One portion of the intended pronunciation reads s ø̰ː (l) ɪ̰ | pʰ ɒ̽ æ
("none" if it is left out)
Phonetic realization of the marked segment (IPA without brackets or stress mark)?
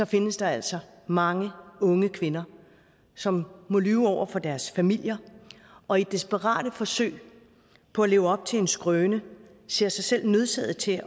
none